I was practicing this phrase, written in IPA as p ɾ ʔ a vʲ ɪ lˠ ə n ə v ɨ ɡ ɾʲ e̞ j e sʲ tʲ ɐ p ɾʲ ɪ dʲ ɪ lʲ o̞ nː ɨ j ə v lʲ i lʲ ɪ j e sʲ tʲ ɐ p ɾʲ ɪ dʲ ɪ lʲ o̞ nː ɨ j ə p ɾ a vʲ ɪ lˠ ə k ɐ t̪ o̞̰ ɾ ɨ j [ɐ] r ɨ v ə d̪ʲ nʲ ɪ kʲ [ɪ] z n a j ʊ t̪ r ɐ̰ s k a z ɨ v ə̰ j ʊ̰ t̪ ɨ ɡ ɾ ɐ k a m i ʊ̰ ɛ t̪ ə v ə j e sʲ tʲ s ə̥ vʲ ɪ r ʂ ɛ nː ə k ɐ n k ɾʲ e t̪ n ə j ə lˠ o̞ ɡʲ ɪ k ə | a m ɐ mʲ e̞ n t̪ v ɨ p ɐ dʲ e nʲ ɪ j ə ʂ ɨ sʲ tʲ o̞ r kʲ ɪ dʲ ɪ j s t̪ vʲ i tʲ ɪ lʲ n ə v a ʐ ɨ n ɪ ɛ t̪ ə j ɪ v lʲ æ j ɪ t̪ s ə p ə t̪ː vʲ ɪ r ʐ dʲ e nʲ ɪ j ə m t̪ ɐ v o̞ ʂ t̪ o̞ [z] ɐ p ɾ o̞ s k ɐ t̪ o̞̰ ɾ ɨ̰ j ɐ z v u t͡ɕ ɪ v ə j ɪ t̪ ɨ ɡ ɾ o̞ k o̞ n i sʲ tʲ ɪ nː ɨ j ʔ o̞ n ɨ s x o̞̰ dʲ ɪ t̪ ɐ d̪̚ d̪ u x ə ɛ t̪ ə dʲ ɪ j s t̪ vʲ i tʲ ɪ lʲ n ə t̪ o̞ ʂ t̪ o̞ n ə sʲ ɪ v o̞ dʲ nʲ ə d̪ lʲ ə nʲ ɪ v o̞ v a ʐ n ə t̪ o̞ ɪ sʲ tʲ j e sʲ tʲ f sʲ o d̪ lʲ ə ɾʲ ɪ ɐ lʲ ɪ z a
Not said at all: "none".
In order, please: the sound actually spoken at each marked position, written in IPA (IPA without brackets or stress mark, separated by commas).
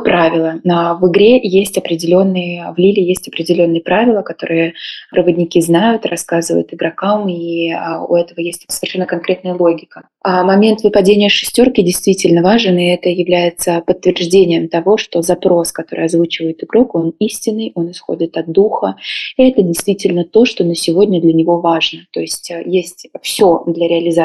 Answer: ə, i, z